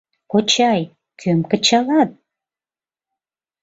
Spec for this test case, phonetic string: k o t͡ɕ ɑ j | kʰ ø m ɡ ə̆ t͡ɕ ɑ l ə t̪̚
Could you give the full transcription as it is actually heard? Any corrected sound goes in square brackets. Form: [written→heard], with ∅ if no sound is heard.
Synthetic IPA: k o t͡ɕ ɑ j | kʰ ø m [ɡ→k] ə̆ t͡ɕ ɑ l [ə→ɑ] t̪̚